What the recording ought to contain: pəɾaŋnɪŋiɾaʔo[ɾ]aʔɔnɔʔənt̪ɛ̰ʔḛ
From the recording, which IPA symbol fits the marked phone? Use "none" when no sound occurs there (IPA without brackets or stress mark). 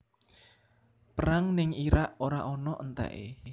ɾ